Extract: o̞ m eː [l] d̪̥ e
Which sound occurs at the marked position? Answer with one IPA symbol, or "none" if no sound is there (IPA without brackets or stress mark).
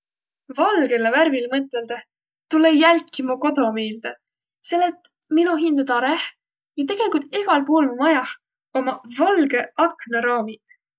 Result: l